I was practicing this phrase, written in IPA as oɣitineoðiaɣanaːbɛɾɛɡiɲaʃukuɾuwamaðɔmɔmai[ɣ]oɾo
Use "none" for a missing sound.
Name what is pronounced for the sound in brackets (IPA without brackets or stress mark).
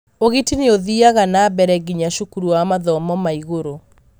ɣ